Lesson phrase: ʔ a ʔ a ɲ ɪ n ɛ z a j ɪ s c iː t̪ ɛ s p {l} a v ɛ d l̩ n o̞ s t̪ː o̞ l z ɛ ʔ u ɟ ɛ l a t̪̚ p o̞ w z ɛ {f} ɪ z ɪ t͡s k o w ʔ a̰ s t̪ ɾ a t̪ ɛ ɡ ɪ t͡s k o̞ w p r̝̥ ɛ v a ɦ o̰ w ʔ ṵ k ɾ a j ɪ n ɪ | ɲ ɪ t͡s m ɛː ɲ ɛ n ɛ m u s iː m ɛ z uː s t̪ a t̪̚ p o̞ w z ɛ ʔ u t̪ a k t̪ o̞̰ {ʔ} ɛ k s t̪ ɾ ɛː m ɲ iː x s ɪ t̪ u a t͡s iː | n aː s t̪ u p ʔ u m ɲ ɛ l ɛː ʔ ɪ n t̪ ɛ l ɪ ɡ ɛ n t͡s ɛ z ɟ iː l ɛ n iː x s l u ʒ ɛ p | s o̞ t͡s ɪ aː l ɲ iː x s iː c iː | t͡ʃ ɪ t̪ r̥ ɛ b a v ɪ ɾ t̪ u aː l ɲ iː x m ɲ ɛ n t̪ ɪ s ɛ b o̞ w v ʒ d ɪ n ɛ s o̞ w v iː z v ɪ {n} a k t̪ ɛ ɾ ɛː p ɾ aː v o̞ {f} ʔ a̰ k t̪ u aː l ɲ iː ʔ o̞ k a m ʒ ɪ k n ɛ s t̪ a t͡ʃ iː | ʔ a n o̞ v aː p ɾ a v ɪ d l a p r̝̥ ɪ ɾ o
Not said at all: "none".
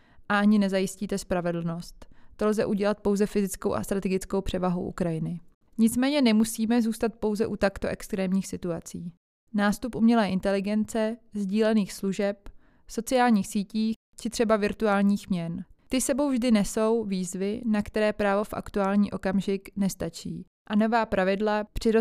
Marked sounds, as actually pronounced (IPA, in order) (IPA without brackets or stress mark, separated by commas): ɾ, f, ʔ, n, f